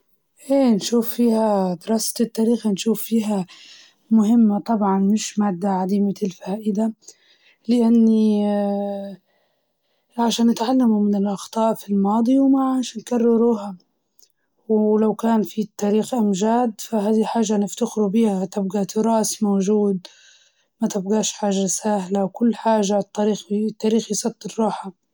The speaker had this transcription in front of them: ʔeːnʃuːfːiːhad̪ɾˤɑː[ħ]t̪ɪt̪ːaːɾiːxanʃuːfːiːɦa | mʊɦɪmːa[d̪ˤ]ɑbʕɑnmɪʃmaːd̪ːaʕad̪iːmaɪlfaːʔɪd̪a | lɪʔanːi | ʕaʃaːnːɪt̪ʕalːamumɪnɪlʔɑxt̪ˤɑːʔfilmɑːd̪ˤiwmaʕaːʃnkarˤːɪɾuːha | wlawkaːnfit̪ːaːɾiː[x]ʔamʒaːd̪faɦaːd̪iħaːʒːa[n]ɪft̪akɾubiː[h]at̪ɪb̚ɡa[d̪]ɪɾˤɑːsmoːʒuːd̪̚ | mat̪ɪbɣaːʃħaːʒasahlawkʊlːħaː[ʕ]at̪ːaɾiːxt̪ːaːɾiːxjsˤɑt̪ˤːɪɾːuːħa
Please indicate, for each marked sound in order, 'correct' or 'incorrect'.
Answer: incorrect, incorrect, correct, correct, correct, incorrect, incorrect

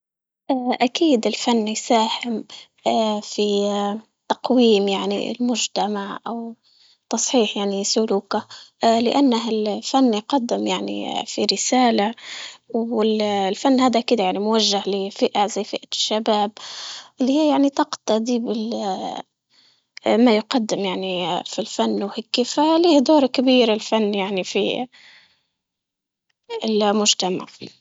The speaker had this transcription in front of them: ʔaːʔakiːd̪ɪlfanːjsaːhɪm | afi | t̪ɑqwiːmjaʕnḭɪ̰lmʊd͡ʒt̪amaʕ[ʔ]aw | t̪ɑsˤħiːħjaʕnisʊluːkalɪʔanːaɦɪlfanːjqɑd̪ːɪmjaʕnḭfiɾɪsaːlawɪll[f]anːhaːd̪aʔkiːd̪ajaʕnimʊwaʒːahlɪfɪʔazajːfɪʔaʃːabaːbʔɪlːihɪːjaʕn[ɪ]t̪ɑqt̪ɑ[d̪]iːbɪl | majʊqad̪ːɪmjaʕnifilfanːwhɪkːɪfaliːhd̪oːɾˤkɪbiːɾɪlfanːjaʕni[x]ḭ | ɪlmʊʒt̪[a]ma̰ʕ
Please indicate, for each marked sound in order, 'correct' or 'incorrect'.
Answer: correct, correct, incorrect, correct, incorrect, correct

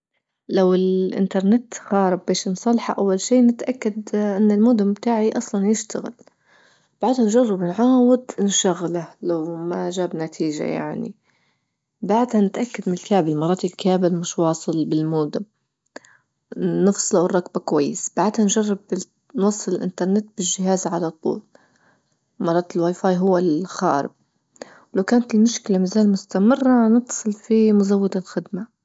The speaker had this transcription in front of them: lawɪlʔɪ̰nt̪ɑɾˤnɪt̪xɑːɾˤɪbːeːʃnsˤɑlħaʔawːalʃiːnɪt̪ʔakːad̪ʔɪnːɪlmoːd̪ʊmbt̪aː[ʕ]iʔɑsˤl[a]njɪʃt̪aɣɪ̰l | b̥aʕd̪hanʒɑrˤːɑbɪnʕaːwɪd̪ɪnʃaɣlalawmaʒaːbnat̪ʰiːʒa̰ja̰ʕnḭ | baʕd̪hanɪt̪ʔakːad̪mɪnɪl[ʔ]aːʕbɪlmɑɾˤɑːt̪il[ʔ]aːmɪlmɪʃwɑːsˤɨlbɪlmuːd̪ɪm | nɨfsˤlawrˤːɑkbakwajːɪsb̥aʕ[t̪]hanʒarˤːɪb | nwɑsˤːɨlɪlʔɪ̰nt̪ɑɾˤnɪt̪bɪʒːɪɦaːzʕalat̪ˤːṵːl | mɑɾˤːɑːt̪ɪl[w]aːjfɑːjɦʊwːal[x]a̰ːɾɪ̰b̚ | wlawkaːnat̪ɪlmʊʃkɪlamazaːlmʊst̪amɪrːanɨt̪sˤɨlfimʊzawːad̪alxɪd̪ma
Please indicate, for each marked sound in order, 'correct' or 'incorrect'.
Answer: correct, incorrect, incorrect, incorrect, incorrect, correct, correct

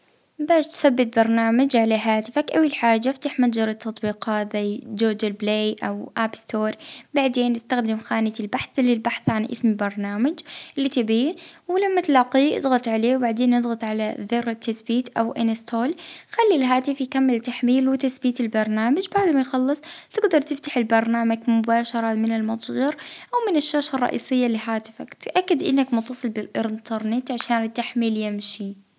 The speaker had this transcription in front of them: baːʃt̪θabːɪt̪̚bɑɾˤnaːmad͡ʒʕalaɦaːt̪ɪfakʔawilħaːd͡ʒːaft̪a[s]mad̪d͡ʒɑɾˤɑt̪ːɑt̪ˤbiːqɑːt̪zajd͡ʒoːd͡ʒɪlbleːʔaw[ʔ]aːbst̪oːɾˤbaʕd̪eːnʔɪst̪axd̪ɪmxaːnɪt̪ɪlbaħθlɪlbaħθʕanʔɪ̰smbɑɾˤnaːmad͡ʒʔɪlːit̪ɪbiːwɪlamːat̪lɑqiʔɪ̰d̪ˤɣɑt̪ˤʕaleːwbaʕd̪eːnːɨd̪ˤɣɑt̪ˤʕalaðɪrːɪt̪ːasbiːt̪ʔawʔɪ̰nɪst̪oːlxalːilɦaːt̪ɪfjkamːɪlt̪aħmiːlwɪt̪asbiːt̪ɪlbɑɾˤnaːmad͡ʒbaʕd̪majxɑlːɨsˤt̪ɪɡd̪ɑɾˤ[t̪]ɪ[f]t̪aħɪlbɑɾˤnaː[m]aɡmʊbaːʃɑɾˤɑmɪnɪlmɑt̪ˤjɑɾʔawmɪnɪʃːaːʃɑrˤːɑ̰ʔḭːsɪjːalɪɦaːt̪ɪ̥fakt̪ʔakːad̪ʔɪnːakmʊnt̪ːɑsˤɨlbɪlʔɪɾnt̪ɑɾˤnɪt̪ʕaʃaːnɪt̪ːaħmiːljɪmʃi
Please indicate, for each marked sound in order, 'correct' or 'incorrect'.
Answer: incorrect, correct, correct, correct, correct

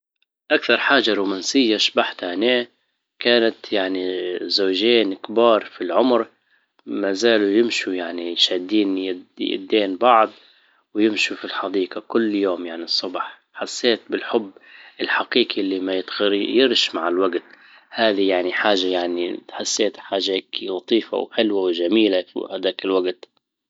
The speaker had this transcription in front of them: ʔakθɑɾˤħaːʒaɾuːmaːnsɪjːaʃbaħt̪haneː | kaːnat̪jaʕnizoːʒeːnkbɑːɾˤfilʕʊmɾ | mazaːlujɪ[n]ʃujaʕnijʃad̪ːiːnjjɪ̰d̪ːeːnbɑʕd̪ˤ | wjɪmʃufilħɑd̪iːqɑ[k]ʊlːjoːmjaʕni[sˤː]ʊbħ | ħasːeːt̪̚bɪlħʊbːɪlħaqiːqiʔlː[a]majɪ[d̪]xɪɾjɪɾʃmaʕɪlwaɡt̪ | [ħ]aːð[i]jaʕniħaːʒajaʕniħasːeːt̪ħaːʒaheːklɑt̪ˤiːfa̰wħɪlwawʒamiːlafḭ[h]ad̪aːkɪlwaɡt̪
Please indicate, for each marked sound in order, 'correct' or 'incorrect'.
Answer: incorrect, correct, correct, incorrect, incorrect, incorrect, correct, correct

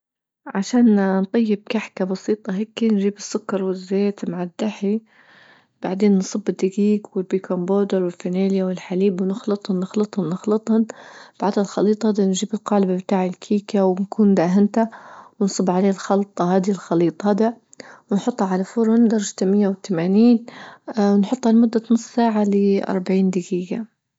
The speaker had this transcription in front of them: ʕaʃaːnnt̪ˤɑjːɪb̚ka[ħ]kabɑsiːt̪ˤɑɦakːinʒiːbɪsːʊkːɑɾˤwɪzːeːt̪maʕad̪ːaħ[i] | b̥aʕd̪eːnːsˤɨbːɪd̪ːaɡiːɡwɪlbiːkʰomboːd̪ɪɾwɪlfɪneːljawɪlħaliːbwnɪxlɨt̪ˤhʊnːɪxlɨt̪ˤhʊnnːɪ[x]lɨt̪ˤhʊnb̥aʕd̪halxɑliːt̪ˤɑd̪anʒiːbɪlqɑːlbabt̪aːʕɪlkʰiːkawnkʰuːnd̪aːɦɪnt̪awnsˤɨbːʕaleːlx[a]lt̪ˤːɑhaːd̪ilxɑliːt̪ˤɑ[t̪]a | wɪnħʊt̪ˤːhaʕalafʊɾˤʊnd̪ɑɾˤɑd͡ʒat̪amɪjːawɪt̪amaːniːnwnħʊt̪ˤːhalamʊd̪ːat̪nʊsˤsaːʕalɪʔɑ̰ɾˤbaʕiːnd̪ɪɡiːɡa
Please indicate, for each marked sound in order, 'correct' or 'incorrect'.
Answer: correct, correct, correct, incorrect, incorrect

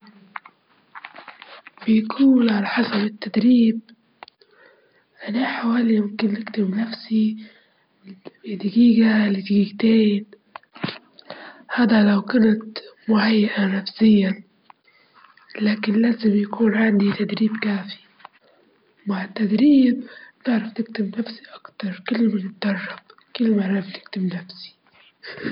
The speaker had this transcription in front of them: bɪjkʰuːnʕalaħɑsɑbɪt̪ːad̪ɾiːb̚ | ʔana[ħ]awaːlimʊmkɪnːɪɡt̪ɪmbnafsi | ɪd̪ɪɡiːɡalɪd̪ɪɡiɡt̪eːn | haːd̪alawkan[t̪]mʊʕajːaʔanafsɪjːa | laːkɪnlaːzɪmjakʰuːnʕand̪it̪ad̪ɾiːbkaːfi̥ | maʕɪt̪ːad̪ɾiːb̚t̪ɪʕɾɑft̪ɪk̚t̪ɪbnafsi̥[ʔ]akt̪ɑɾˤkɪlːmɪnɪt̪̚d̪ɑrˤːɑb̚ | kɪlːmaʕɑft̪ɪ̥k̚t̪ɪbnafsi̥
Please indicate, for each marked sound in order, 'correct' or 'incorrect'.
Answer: correct, correct, correct

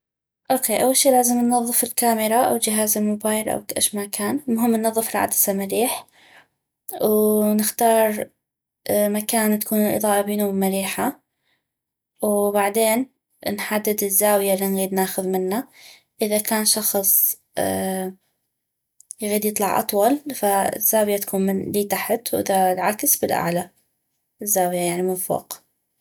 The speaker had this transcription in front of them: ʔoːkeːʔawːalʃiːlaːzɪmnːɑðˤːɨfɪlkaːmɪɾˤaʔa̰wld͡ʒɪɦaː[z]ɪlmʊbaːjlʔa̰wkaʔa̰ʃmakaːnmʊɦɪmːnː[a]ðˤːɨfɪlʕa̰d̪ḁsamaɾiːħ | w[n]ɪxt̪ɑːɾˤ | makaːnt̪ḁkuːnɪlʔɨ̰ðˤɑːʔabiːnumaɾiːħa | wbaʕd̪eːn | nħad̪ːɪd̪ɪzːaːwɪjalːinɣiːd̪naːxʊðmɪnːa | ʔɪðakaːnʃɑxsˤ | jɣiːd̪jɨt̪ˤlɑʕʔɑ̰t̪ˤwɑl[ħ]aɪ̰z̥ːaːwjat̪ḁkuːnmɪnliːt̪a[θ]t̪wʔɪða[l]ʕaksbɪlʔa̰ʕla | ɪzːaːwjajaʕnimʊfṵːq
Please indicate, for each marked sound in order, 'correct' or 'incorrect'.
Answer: correct, incorrect, correct, incorrect, incorrect, correct

